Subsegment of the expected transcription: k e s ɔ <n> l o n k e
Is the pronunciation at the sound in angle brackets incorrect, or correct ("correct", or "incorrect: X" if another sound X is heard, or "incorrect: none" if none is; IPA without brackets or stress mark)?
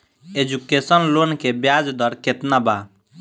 correct